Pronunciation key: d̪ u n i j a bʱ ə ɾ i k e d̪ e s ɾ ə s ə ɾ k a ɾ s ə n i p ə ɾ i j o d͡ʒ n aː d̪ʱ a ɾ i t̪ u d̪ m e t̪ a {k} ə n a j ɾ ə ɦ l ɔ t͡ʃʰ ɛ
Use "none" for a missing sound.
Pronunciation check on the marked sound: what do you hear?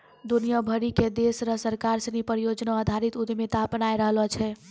p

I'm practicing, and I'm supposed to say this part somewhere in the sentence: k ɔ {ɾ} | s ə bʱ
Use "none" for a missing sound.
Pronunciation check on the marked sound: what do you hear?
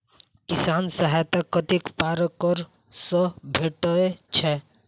ɾ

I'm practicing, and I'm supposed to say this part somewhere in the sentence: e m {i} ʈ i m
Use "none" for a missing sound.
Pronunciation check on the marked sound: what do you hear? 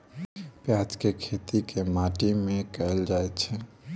a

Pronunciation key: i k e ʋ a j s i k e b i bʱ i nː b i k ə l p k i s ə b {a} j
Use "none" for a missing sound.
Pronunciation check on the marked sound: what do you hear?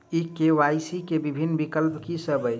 ə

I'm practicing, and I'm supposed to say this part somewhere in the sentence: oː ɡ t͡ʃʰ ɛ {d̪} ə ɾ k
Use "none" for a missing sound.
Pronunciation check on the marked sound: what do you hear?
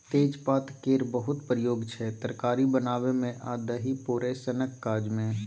t̪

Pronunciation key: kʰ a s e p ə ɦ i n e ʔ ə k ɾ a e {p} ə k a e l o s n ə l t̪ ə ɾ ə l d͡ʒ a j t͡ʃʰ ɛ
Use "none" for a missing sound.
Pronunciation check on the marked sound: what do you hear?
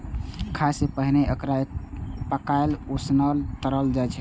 p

